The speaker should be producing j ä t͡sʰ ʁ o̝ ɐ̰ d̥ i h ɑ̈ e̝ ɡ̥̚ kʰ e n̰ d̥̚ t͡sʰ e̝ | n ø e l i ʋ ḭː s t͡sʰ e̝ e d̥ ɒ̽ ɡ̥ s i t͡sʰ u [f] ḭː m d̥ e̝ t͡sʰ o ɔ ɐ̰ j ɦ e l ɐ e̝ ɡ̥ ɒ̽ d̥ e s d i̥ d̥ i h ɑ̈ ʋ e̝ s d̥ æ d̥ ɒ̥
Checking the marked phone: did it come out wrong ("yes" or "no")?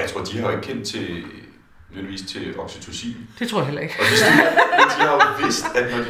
yes